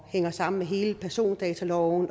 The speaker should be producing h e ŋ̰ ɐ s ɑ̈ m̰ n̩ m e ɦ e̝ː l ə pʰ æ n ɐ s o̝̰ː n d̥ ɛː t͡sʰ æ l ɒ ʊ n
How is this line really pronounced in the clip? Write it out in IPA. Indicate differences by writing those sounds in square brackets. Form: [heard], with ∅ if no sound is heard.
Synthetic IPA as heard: h e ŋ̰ ɐ s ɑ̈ m̰ n̩ m e ɦ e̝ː l ə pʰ æ [∅] ɐ s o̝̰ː n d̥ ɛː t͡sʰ æ l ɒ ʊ n